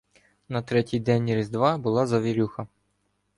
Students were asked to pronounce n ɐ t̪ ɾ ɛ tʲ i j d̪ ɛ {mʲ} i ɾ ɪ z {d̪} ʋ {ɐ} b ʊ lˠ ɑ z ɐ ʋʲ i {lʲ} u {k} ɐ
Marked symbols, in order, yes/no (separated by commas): no, yes, no, no, no